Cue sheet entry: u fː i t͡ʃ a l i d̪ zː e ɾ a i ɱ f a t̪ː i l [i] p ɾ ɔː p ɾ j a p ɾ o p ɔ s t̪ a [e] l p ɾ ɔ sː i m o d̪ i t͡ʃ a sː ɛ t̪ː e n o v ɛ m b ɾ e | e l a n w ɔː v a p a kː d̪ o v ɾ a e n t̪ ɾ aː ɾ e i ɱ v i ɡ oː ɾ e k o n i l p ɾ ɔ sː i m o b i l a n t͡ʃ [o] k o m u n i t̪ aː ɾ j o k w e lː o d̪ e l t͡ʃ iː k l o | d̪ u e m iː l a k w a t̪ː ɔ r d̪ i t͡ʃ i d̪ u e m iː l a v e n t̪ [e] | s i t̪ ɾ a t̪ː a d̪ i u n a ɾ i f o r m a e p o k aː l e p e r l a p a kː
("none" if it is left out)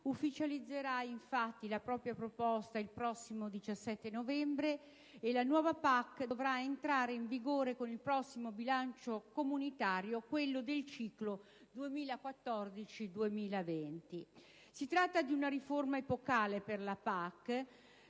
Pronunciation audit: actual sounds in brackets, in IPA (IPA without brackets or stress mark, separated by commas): a, i, o, i